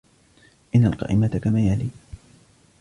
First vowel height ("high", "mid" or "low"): high